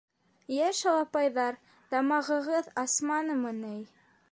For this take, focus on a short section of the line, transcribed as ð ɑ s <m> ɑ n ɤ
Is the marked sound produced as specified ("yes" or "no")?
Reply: yes